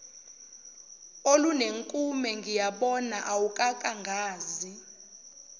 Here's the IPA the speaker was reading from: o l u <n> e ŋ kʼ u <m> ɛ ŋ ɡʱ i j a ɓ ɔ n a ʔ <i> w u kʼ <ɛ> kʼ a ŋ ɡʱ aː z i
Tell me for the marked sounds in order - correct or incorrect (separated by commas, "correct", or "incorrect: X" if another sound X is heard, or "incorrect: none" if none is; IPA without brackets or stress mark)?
correct, correct, incorrect: a, incorrect: a